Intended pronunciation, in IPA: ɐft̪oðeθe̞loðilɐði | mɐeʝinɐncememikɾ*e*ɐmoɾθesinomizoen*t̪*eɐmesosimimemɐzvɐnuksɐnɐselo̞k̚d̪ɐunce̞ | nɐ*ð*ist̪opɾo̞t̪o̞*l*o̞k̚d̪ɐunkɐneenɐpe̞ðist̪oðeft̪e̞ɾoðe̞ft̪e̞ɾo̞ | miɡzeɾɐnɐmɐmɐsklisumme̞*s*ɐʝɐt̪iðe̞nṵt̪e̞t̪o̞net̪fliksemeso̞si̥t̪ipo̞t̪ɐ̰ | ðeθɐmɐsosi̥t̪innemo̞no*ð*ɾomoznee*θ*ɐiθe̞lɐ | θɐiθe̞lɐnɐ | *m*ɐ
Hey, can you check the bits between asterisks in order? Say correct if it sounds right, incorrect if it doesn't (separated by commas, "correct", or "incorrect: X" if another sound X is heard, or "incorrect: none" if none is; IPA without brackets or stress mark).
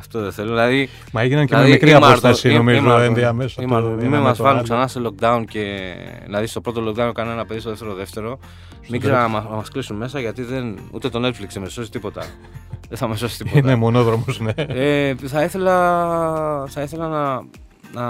incorrect: i, incorrect: d̪, correct, correct, correct, correct, correct, incorrect: n